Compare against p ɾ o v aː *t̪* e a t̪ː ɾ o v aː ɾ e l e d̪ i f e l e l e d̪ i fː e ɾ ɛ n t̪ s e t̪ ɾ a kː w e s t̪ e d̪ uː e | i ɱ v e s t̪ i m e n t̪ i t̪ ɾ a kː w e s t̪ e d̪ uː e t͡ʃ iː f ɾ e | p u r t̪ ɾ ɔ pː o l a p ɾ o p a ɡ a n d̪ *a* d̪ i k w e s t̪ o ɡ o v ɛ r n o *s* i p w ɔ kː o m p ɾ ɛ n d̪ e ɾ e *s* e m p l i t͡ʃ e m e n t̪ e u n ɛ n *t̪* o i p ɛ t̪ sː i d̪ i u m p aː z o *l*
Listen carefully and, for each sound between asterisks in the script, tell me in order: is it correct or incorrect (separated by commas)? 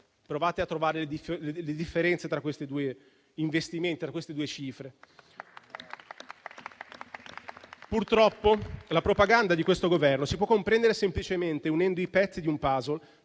correct, correct, correct, correct, incorrect, correct